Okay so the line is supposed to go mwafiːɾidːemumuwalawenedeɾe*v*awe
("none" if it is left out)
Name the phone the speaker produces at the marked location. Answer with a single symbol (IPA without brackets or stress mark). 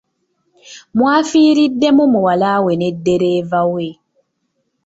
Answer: v